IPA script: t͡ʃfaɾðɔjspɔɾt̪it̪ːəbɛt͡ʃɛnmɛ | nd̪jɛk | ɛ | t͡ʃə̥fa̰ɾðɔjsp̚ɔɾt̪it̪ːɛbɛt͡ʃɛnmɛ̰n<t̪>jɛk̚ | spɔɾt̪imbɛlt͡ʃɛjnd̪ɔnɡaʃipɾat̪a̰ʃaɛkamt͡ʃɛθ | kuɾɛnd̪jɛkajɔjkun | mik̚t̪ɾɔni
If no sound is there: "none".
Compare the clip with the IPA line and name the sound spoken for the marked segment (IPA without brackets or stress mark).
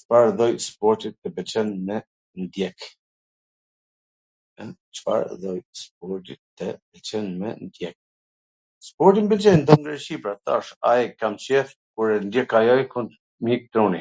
d̪